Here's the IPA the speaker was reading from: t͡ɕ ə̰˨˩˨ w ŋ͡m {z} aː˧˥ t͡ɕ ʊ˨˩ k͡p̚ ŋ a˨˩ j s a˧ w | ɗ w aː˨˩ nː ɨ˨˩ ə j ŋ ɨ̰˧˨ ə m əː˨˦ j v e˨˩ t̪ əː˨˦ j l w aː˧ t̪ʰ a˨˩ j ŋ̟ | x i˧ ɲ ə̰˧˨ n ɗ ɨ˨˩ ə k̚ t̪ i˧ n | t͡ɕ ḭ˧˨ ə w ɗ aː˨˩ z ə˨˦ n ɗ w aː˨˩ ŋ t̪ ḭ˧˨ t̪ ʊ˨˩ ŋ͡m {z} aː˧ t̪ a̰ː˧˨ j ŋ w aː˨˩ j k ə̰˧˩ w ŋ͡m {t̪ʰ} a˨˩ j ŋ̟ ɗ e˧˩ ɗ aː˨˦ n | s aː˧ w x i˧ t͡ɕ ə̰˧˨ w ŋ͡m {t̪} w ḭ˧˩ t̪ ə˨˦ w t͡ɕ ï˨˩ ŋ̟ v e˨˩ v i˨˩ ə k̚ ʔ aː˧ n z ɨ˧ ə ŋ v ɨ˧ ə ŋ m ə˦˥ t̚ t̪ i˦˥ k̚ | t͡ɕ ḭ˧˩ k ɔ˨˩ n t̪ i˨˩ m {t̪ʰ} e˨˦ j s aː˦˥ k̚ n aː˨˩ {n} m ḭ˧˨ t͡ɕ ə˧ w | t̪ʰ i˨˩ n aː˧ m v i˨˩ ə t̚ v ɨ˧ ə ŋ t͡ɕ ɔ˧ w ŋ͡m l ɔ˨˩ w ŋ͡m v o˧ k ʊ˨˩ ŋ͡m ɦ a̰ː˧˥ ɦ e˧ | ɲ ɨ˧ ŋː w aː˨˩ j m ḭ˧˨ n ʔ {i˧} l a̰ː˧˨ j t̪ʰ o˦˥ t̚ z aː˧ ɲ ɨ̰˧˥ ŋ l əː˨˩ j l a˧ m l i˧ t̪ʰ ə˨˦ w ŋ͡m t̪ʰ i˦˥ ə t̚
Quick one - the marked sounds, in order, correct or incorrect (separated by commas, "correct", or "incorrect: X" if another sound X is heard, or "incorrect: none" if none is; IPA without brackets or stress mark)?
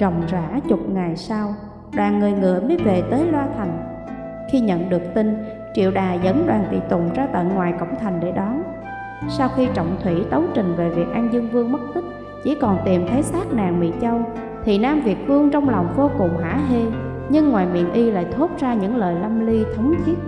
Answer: correct, correct, correct, incorrect: t̪ʰ, correct, incorrect: ŋ, correct